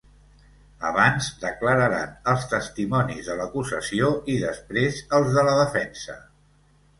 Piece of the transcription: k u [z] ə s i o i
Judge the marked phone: correct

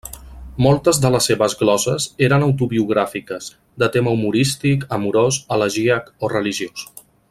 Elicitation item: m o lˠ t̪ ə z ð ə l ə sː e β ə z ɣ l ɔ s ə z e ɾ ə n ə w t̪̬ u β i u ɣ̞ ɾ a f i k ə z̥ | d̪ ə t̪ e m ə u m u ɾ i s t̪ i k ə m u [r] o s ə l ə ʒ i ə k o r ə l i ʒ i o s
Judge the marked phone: incorrect: ɾ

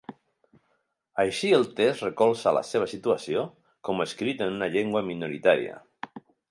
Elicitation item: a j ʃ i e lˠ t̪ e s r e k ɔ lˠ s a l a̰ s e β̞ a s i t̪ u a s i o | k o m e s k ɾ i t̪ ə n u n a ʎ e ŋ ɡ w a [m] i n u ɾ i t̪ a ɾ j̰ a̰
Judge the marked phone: correct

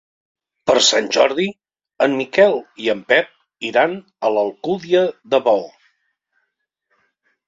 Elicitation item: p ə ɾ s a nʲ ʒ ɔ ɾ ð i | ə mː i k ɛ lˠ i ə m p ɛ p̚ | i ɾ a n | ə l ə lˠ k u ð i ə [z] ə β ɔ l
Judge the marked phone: incorrect: ð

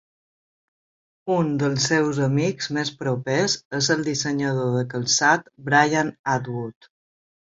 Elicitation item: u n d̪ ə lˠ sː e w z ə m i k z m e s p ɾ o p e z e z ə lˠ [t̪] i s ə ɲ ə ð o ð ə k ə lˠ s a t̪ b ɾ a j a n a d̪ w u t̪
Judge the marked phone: incorrect: d̪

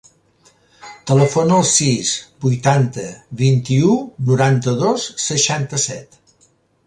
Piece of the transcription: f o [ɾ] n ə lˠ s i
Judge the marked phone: incorrect: none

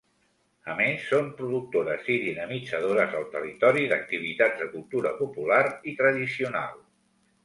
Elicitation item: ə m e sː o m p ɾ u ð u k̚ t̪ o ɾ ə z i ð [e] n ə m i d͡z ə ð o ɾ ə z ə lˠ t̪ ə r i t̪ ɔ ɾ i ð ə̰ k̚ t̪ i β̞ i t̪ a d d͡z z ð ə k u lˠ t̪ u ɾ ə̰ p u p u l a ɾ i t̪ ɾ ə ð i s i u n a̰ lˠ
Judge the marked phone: incorrect: i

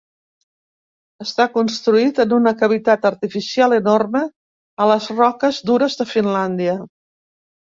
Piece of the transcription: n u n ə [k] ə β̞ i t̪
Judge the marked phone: correct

